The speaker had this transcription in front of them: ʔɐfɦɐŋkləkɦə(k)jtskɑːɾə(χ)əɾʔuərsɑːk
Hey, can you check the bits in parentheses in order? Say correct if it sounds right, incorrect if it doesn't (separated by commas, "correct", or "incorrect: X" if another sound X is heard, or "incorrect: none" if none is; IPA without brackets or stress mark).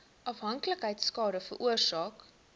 incorrect: none, incorrect: f